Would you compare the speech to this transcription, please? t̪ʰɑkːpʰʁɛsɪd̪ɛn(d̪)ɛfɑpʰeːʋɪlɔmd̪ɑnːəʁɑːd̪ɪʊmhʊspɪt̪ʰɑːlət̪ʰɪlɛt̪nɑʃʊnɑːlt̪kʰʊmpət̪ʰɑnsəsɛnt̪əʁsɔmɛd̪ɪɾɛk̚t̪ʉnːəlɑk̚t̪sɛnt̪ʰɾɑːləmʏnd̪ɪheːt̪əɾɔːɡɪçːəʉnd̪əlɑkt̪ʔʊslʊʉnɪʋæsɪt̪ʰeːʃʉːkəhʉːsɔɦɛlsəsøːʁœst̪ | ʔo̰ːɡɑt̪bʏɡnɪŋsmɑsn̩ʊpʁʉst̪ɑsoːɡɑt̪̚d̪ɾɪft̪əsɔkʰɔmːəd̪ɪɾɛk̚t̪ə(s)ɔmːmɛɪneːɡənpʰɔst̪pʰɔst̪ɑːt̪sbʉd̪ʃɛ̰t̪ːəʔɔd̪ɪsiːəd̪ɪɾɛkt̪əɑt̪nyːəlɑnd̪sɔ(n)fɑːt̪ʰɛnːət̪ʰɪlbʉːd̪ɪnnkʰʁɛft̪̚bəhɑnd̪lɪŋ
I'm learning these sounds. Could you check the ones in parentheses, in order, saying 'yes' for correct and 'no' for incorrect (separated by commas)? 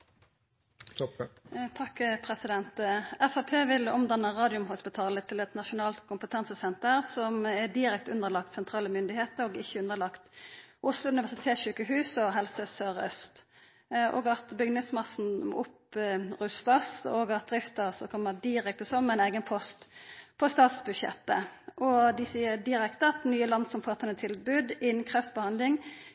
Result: no, yes, no